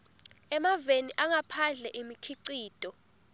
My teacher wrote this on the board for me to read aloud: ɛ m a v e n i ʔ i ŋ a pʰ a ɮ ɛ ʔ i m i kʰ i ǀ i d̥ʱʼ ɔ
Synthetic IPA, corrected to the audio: ɛ m a v e n i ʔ a ŋ a pʰ a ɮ ɛ ʔ i m i kʰ i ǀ iː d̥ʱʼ ɔ